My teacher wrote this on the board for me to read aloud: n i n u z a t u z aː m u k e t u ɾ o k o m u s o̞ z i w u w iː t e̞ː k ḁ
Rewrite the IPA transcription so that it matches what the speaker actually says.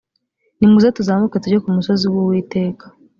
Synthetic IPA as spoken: n i m u z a t u z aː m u k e t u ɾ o k u m u s o̞ z i w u w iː t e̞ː k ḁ

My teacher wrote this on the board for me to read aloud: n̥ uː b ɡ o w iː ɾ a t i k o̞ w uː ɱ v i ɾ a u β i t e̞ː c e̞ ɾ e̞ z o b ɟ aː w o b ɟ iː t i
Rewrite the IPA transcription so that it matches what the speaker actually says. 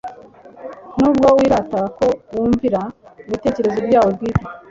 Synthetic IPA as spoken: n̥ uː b ɡ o w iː ɾ a t a k o̞ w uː ɱ v i ɾ a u β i t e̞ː c e̞ ɾ e̞ z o b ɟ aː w o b ɡ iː t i

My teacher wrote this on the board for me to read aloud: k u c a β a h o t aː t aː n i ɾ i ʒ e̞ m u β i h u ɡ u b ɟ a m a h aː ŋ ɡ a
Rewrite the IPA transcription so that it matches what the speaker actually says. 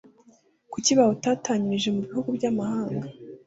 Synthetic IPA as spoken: k u c i β a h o t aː t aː ɲ i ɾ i ʒ e̞ m u β i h u ɡ u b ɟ a m a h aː ŋ ɡ a

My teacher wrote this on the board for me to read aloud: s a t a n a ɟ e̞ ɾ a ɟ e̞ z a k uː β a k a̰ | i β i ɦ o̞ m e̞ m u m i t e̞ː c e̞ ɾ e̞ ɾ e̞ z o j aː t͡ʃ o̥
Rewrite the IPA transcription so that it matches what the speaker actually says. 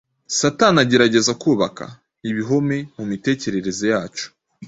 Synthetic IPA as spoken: s a t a n a ɟ e̞ ɾ a ɟ e̞ z a k uː β a k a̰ | i β i ɦ o̞ m e̞ m u m i t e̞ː c e̞ ɾ e̞ ɾ e̞ z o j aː t͡ʃ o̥

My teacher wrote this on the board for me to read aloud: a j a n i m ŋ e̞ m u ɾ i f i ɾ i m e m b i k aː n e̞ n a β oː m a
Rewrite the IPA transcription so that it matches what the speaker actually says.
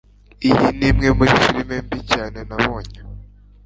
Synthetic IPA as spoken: i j i n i m ŋ e̞ m u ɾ i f i ɾ i m e m b i c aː n e̞ n a β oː ɲ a

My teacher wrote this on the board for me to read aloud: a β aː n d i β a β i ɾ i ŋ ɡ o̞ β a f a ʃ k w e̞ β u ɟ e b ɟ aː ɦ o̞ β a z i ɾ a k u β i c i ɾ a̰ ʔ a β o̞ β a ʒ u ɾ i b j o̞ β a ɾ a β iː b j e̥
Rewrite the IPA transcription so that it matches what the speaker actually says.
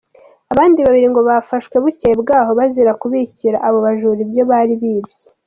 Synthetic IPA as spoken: a β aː n d i β a β i ɾ i ŋ ɡ o̞ β a f a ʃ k w e̞ β u c e b ɡ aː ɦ o̞ β a z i ɾ a k u β i c i ɾ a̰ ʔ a β o̞ β a ʒ u ɾ i b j o̞ β a ɾ i β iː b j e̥

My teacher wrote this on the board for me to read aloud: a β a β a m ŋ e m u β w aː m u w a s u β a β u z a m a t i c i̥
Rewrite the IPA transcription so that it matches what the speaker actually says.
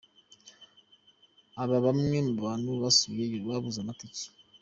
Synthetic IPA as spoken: a β a β a m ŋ e m u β β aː n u β a s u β a β u z a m a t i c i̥

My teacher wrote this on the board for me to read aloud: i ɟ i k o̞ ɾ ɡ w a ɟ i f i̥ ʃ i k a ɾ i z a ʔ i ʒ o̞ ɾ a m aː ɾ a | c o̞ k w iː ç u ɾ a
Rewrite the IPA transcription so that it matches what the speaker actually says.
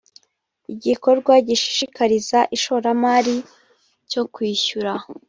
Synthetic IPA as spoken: i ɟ i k o̞ ɾ ɡ w a ɟ i ʃ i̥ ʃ i k a ɾ i z a ʔ i ʃ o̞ ɾ a m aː ɾ i | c o̞ k w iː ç u ɾ a

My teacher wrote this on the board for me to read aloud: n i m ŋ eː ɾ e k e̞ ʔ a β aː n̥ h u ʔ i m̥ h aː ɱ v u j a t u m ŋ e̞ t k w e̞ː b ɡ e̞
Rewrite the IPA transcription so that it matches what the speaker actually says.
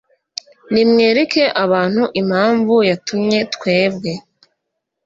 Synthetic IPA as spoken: n i m ŋ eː ɾ e k e̞ ʔ a β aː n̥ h u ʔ i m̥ h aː ɱ v u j a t u m ɲ e̞ t k w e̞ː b ɡ e̞

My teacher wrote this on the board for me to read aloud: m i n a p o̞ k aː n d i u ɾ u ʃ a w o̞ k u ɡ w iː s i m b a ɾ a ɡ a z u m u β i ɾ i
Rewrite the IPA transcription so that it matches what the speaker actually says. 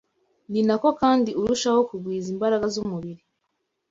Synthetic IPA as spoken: n i n a k o̞ k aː n d i u ɾ u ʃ a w o̞ k u ɡ w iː z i m b a ɾ a ɡ a z u m u β i ɾ i

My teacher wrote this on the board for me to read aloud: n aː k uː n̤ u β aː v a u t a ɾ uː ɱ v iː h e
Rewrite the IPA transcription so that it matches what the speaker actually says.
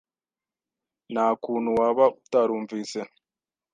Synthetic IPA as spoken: n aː k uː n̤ u w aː β a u t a ɾ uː ɱ v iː s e

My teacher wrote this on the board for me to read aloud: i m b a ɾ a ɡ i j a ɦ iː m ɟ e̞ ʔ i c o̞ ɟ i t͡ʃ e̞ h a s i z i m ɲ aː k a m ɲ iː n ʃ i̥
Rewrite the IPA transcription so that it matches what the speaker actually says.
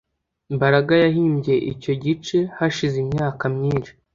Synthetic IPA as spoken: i m b a ɾ a ɡ a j a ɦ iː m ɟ e̞ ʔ i c o̞ ɟ i t͡ʃ e̞ h a ʃ i z i m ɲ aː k a m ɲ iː n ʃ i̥

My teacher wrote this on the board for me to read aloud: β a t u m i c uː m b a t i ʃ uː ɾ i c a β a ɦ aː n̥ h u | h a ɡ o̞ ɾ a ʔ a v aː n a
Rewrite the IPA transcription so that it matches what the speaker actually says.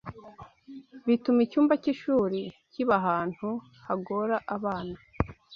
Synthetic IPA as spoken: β i t u m i c uː m b a c i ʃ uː ɾ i c i β a ɦ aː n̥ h u | h a ɡ o̞ ɾ a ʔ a β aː n a

